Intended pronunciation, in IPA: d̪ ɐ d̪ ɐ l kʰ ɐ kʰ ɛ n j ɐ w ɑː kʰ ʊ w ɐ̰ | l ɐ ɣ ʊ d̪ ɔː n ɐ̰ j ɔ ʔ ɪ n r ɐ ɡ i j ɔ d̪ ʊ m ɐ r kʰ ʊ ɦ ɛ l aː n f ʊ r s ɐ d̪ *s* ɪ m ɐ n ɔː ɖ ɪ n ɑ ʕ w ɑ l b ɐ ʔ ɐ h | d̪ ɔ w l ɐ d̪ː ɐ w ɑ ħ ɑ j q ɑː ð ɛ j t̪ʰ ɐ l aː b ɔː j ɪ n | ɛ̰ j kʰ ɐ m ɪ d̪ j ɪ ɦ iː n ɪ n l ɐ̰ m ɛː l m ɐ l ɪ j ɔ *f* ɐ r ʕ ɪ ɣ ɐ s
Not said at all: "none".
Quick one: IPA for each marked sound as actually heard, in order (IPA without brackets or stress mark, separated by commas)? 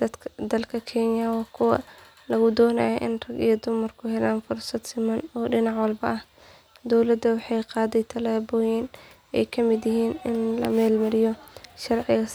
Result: s, ʃ